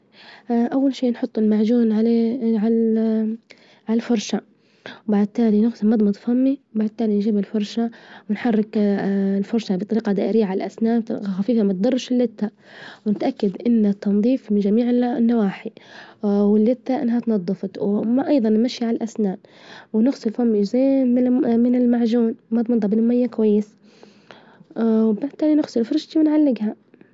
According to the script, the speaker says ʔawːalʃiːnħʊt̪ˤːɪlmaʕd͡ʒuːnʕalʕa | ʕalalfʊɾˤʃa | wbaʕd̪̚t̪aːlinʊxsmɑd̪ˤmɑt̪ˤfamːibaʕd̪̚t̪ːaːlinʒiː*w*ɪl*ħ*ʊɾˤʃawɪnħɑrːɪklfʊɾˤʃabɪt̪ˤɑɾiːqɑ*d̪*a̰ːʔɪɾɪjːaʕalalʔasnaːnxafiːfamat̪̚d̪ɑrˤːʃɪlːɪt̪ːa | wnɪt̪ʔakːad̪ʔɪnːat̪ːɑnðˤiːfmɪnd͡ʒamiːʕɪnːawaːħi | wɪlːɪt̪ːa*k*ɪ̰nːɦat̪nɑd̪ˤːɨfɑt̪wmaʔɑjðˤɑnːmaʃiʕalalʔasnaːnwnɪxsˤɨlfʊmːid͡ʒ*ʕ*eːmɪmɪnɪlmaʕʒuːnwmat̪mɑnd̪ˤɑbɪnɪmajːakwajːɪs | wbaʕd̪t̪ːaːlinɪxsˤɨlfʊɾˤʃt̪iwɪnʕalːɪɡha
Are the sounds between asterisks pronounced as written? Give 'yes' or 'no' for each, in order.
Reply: no, no, yes, no, no

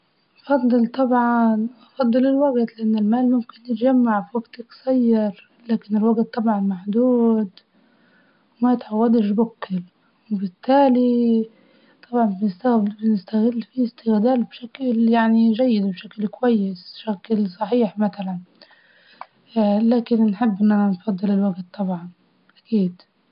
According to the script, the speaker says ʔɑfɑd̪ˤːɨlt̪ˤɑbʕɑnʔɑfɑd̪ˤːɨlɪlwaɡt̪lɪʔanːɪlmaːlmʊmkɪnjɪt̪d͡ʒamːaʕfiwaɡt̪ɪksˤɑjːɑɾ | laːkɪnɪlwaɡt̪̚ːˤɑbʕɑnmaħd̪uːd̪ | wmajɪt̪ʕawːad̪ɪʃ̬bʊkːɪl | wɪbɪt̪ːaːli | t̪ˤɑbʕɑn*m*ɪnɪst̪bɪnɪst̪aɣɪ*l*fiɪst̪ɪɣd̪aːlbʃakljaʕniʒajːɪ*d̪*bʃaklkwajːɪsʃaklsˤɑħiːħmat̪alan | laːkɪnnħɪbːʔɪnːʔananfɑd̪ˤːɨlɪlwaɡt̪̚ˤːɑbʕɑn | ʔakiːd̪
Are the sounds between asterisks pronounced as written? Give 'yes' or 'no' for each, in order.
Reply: no, no, yes

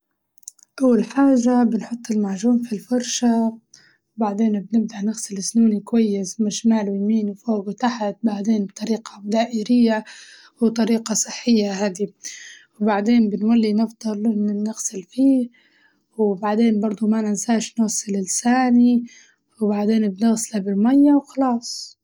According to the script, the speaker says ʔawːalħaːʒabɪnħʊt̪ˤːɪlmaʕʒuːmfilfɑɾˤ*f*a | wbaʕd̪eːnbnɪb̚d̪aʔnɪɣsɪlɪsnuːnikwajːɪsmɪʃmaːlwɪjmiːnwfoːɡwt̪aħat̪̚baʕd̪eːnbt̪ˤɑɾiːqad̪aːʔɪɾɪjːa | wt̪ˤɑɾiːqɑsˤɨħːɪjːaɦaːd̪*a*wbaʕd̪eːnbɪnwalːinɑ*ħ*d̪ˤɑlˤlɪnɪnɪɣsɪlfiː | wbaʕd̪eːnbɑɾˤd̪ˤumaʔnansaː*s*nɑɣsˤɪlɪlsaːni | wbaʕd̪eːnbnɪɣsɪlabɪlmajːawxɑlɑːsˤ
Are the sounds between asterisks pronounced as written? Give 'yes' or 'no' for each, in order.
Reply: no, no, no, no

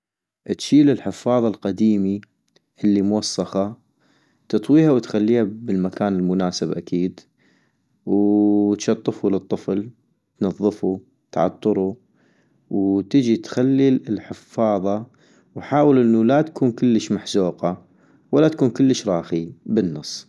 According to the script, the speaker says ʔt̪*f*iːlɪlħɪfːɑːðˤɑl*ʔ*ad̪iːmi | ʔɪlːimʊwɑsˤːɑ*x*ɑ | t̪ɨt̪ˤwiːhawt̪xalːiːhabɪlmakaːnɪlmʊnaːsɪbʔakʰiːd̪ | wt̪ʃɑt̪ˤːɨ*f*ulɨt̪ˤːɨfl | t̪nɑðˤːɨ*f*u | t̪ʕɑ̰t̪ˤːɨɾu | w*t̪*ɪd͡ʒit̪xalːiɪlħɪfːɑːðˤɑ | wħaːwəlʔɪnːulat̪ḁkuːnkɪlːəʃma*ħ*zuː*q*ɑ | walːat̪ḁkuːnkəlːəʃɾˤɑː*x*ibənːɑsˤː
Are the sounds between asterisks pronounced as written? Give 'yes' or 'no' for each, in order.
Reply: no, no, yes, yes, yes, yes, yes, yes, yes

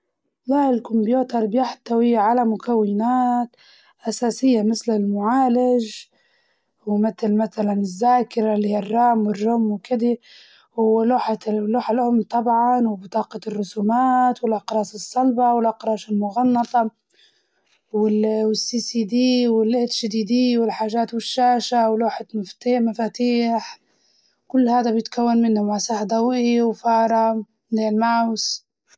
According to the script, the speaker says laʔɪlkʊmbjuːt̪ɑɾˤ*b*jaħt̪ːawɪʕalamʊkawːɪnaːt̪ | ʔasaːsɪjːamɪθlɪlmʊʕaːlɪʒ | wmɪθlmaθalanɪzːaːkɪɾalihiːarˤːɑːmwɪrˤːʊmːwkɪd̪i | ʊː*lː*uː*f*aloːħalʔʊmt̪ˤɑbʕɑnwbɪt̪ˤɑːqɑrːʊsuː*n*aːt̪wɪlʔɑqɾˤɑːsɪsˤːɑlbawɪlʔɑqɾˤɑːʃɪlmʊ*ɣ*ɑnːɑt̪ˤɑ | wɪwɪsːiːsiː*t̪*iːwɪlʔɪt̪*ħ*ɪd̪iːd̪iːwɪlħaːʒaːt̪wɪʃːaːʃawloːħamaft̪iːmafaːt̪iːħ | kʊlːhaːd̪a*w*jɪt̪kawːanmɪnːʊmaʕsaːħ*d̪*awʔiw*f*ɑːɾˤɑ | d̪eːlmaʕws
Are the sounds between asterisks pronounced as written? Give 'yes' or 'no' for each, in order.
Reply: yes, no, no, no, yes, no, no, no, yes, yes

